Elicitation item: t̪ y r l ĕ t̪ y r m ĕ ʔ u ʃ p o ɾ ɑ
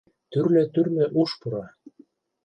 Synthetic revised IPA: t̪ y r l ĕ t̪ y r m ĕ ʔ u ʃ p u ɾ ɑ